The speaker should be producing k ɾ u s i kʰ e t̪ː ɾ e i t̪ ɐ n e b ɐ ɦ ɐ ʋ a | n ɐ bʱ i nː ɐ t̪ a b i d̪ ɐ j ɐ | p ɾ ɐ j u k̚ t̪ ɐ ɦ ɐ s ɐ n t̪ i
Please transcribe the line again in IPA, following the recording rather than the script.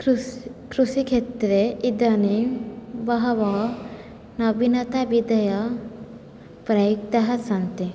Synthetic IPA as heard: k ɾ u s i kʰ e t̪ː ɾ e i d̪ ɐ n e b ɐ ɦ ɐ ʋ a | n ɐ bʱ i n ɐ t̪ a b i d̪ ɐ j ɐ | p ɾ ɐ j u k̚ t̪ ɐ ɦ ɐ s ɐ n t̪ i